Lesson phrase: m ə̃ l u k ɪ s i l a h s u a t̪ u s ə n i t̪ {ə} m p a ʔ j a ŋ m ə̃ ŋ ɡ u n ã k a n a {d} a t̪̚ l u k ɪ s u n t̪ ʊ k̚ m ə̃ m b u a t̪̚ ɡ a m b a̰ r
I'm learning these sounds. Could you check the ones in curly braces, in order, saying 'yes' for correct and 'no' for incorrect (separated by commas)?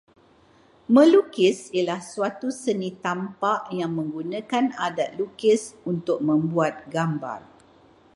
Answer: no, yes